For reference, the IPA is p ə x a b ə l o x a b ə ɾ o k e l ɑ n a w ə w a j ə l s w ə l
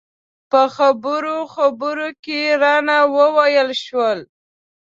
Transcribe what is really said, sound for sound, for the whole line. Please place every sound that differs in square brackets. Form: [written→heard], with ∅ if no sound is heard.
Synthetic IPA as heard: p ə x a b ə [l→ɾ] o x a b ə ɾ o k e [l→ɾ] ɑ n a w ə w a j ə l [s→ʃ] w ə l